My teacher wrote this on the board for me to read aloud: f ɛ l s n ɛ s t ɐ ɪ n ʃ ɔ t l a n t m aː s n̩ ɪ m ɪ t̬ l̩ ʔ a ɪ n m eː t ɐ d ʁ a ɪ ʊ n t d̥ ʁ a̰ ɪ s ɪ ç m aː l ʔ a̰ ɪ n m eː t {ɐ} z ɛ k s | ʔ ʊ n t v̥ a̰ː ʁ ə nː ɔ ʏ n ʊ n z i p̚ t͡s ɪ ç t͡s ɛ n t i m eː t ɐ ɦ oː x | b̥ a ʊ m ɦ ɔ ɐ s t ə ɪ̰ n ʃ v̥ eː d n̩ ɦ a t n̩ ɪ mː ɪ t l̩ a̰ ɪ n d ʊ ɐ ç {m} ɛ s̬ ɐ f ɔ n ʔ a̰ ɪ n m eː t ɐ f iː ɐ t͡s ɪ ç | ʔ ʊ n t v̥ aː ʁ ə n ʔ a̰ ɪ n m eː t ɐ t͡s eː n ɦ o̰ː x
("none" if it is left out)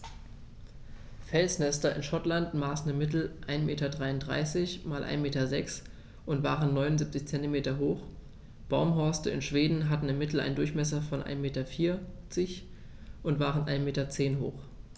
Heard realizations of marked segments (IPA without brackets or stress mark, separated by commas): ɐ, m